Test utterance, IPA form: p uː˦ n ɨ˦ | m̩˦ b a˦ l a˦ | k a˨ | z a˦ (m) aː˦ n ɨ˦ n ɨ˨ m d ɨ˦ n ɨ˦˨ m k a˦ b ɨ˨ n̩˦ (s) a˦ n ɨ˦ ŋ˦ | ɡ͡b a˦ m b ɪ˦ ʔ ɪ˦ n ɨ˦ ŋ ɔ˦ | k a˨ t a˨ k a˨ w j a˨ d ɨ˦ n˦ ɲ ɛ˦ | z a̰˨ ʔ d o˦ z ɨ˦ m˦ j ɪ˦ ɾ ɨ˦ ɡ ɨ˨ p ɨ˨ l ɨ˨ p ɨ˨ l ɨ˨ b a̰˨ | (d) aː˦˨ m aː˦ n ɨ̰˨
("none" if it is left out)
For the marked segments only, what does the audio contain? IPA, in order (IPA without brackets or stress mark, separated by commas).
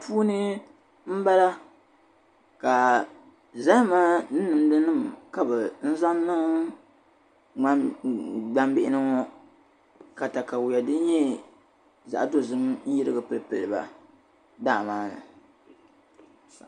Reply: m, z, d